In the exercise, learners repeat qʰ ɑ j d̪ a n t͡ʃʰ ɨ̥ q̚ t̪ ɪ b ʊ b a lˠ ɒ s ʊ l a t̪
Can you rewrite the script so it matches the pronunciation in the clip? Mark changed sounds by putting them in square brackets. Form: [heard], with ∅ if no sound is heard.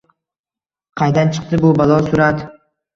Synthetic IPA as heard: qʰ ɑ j d̪ a n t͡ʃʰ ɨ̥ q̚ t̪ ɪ b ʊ b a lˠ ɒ s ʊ [ɾ] a t̪